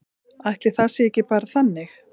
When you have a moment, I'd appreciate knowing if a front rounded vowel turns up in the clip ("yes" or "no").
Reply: no